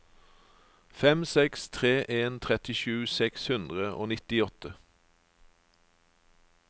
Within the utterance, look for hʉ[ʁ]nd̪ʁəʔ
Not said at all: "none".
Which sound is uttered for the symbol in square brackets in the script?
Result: none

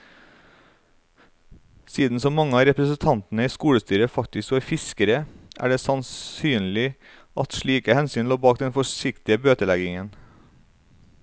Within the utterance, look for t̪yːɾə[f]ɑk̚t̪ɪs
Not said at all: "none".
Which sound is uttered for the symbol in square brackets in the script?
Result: f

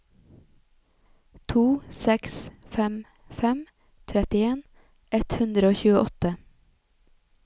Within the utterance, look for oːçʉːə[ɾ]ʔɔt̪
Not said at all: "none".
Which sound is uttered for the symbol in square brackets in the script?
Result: none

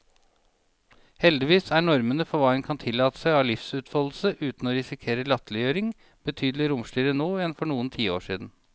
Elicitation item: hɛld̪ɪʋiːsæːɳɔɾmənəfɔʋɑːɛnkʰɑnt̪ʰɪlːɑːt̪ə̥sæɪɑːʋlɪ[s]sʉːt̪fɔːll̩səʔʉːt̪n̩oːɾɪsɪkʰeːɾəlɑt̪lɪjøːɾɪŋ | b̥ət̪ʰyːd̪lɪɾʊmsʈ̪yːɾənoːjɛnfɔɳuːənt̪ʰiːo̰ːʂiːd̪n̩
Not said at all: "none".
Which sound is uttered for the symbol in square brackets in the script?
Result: f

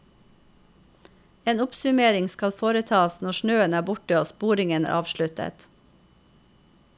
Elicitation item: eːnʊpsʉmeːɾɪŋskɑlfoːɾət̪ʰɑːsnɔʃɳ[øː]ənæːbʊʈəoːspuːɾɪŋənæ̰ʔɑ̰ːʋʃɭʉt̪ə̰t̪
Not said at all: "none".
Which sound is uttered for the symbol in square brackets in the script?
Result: øː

